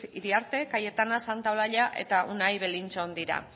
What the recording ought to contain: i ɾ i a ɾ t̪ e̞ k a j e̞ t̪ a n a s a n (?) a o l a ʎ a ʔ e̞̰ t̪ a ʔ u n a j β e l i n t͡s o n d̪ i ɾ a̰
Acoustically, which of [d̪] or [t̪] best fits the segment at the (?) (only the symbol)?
t̪